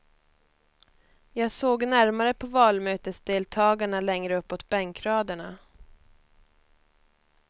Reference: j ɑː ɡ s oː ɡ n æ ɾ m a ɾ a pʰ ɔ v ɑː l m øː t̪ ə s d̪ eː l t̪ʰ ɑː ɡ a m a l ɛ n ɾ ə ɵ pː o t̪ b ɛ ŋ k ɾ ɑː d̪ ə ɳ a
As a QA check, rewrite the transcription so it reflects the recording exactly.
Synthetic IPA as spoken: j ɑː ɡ s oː ɡ n æ ɾ m a ɾ ə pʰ ɔ v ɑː l m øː t̪ ə s d̪ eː l t̪ʰ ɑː ɡ a ɳ a l ɛ ŋ ɾ ə ɵ pː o t̪ b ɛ ŋ k ɾ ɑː d̪ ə ɳ a